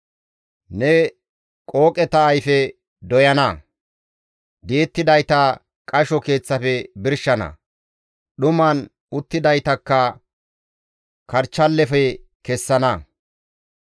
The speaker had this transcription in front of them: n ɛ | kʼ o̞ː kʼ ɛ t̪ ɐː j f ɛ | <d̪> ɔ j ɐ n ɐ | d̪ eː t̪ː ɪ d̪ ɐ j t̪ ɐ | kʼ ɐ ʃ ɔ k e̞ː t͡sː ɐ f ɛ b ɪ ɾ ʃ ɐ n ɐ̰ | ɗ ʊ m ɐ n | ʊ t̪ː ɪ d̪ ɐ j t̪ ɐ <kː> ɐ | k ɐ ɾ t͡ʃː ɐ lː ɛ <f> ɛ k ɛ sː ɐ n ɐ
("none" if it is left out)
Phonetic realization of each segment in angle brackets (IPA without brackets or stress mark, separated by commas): d̪, kː, f